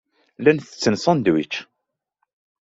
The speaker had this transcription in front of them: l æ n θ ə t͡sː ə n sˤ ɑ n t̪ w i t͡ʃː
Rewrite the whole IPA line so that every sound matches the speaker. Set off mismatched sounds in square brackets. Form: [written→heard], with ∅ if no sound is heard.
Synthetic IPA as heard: l æ n θ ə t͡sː ə n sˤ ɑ n [t̪→d̪] w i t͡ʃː